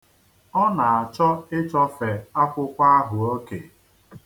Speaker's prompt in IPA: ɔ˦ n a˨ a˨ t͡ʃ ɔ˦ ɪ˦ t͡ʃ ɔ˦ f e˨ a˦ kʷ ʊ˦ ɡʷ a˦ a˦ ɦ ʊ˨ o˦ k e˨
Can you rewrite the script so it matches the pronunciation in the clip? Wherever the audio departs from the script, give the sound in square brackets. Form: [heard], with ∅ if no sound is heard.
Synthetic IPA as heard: ɔ˦ n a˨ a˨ t͡ʃ ɔ˦ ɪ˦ t͡ʃ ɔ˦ f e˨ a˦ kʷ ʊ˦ [kʷ] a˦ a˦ ɦ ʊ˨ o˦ k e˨